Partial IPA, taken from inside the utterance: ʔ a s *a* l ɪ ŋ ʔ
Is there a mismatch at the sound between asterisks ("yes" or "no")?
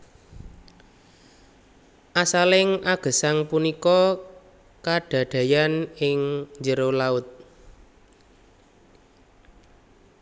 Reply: no